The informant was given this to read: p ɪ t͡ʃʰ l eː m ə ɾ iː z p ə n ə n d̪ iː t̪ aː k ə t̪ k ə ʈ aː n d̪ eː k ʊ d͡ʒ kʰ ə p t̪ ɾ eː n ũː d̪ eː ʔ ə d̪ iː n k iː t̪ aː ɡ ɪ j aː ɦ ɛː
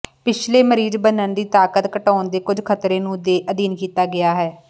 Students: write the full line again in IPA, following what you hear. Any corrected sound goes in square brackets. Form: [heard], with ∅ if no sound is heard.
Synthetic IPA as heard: p ɪ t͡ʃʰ l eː m ə ɾ iː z [b] ə n ə n d̪ iː t̪ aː k ə t̪ k ə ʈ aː n d̪ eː k ʊ d͡ʒ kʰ ə [∅] t̪ ɾ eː n ũː d̪ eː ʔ ə d̪ iː n k iː t̪ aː ɡ ɪ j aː ɦ ɛː